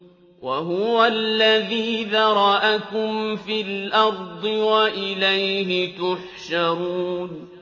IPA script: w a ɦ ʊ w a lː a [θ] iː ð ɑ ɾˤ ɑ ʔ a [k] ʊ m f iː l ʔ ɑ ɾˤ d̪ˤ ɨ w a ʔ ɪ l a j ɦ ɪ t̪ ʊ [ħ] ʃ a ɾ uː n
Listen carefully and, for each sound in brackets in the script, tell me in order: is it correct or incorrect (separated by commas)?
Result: incorrect, correct, correct